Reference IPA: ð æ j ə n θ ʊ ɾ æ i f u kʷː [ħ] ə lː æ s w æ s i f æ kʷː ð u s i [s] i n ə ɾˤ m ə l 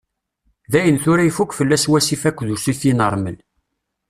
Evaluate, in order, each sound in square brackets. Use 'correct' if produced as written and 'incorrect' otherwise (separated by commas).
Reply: incorrect, incorrect